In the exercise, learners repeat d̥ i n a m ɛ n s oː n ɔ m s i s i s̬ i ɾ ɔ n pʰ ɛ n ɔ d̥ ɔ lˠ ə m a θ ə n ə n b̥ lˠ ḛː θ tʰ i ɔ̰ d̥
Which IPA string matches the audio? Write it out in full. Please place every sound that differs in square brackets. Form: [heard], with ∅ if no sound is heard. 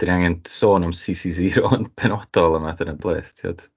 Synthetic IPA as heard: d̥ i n a [ŋ] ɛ n s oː n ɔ m s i s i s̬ i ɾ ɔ n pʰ ɛ n ɔ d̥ ɔ lˠ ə m a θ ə n ə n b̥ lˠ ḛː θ tʰ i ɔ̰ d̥